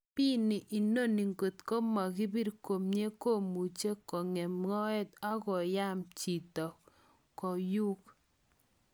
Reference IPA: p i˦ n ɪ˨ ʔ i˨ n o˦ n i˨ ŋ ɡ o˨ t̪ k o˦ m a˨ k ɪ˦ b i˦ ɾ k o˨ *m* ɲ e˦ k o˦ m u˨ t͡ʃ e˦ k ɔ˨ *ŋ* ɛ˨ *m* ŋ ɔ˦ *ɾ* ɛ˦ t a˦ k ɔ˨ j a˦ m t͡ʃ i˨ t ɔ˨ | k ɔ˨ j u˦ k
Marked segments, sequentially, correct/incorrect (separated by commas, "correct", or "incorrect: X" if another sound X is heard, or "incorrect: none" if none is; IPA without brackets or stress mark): correct, correct, correct, incorrect: none